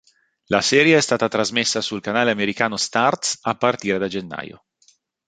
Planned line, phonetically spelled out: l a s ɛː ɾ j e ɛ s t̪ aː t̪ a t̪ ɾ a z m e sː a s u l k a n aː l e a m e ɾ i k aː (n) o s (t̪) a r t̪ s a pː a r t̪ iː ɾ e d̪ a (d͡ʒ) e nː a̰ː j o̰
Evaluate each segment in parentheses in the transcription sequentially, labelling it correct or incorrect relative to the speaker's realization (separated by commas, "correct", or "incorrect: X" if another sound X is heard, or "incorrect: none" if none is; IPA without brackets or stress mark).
correct, correct, correct